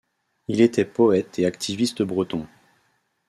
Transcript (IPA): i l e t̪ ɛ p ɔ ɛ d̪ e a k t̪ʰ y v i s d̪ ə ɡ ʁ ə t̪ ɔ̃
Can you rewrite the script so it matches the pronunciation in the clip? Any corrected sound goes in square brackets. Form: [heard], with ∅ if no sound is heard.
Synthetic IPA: i l e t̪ ɛ p ɔ ɛ [t̪] e a k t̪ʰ [i] v i s [t̪] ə [b] ʁ ə t̪ ɔ̃